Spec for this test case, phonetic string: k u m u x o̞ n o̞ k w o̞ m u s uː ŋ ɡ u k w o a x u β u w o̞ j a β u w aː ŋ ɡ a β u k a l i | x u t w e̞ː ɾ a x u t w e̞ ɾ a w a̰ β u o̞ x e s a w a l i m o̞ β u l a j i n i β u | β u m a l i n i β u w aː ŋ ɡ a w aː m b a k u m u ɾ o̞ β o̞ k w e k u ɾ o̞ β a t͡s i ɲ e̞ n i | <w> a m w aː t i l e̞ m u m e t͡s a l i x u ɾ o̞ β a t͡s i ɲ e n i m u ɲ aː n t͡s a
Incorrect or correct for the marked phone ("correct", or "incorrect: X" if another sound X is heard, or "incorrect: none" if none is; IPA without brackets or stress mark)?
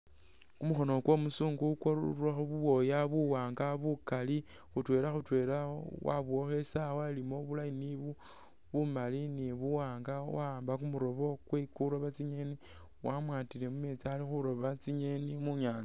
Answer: correct